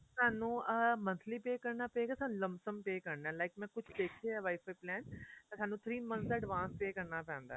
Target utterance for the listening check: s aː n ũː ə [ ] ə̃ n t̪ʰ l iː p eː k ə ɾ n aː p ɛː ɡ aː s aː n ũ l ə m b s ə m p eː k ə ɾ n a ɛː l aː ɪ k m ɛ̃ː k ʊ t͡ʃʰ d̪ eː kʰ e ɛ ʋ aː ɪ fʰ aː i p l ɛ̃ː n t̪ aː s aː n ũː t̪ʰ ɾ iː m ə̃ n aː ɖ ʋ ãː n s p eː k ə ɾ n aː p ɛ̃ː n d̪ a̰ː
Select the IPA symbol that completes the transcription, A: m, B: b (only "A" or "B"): A